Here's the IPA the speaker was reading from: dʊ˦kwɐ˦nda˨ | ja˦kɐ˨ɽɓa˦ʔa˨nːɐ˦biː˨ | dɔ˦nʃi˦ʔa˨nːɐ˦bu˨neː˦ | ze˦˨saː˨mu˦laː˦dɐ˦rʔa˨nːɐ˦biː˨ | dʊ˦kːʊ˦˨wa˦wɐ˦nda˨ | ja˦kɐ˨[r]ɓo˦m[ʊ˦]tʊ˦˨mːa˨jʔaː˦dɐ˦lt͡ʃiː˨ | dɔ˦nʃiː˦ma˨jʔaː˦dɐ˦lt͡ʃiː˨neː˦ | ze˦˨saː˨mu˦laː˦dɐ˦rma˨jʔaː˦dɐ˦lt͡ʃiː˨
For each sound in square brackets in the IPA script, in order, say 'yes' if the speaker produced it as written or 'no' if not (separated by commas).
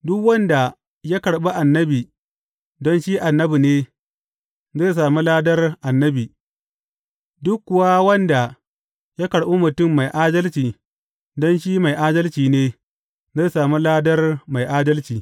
no, no